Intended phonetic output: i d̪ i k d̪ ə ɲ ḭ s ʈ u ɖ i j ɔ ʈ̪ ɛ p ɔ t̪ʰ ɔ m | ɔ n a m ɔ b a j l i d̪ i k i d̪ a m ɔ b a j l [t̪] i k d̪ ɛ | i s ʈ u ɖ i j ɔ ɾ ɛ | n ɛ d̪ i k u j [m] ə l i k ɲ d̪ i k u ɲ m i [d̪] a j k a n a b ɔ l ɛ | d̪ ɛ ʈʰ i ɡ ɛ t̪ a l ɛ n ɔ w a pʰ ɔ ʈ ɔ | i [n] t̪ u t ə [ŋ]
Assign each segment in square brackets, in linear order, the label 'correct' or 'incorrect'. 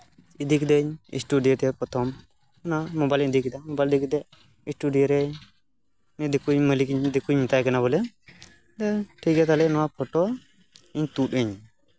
incorrect: d̪, correct, incorrect: t̪, incorrect: ɲ, incorrect: ɲ

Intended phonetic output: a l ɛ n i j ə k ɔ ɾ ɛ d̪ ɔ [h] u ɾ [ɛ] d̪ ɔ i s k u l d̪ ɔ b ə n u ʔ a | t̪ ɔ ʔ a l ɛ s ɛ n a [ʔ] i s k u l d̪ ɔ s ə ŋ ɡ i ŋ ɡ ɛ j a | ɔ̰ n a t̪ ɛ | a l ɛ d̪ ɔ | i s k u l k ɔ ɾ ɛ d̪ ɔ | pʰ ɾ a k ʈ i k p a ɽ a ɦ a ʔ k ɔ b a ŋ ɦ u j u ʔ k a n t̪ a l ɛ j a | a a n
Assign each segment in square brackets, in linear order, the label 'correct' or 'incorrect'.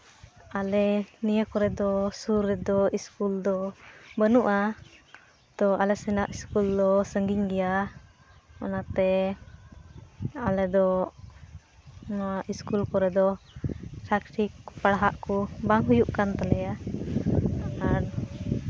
incorrect: s, correct, correct

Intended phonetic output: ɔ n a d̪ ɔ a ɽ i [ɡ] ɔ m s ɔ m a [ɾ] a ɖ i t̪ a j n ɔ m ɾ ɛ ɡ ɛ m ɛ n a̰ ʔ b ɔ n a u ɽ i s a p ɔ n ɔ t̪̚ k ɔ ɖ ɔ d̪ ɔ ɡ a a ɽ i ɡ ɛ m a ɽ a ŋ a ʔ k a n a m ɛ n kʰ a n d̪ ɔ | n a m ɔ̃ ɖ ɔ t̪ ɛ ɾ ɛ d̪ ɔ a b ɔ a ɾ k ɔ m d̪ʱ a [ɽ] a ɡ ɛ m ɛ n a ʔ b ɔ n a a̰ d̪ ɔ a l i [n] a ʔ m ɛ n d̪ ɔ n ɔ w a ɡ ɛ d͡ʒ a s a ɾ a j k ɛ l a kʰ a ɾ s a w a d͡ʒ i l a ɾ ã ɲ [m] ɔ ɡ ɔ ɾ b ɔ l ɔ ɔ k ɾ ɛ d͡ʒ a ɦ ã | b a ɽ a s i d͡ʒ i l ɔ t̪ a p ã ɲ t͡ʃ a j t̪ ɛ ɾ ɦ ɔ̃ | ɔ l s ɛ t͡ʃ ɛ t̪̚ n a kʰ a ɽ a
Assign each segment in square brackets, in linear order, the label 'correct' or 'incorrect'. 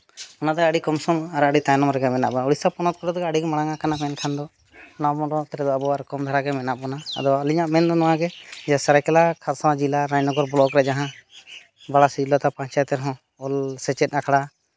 incorrect: k, correct, incorrect: ɾ, incorrect: ɲ, incorrect: n

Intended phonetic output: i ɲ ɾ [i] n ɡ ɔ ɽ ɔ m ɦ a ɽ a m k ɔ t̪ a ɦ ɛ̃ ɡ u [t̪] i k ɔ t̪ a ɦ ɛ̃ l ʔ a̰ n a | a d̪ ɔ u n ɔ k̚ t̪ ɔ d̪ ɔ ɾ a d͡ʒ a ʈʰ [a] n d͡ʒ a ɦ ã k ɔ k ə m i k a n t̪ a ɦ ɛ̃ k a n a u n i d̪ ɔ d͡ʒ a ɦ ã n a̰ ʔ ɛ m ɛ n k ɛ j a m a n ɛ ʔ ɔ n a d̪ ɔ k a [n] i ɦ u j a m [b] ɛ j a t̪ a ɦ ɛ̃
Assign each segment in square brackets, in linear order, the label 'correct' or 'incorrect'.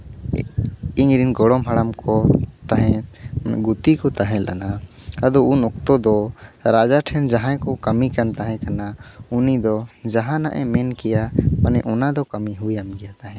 correct, correct, incorrect: ɛ, incorrect: m, incorrect: ɡ

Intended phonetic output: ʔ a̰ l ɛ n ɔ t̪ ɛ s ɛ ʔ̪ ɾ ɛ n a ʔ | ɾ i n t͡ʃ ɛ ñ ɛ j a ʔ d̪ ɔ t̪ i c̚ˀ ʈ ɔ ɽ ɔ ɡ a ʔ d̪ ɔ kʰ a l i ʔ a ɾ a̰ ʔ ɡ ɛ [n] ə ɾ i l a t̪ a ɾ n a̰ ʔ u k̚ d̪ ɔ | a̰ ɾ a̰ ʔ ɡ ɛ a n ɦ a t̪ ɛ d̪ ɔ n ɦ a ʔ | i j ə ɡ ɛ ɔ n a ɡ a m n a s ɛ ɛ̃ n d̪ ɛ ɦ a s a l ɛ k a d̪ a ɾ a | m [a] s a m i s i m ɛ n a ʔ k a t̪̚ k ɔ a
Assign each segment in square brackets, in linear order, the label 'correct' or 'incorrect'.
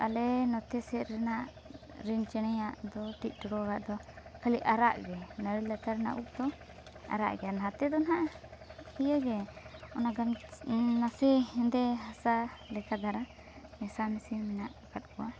correct, incorrect: ɛ

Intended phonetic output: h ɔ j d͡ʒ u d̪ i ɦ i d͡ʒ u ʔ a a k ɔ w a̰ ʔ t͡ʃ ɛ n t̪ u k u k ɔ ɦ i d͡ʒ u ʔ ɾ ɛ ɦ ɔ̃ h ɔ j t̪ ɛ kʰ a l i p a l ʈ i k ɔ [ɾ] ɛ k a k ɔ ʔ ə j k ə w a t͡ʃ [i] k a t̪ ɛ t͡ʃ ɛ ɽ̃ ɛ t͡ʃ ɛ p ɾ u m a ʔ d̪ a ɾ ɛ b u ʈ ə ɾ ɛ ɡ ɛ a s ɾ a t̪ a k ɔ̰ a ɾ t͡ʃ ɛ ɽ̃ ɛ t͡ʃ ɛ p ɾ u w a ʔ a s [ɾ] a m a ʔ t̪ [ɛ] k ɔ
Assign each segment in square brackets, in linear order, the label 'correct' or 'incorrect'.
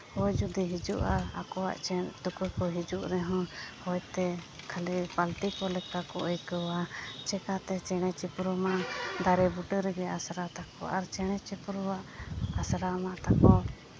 incorrect: l, incorrect: ɛ, correct, incorrect: a

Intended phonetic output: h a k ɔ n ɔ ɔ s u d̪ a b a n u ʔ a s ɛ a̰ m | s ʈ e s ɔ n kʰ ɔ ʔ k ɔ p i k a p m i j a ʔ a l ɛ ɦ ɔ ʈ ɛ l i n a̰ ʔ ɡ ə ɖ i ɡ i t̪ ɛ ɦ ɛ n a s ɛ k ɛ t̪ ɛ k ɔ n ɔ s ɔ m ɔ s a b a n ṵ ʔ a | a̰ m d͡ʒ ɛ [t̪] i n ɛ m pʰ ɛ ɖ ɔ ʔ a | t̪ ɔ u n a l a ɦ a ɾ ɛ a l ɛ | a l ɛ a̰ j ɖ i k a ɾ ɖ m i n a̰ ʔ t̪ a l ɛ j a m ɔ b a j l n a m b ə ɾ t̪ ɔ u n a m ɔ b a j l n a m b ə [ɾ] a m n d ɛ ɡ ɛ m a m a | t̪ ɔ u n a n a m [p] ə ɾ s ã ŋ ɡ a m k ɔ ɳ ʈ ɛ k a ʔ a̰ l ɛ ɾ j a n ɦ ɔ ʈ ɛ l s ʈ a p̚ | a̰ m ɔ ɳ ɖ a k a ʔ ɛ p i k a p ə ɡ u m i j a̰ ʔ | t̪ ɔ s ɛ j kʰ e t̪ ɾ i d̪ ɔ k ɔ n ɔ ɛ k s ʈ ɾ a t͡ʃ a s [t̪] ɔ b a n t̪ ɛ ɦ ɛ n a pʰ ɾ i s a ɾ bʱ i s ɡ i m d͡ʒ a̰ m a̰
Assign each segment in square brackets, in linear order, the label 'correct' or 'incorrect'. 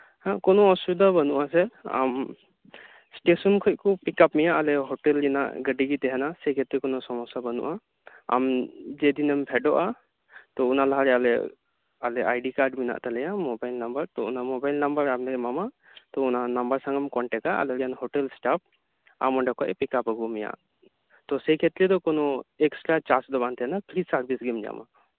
incorrect: d̪, correct, incorrect: b, incorrect: d̪

